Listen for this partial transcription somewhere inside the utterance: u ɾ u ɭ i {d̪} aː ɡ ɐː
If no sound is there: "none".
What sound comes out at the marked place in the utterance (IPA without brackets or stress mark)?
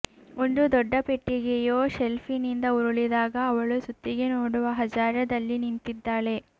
d̪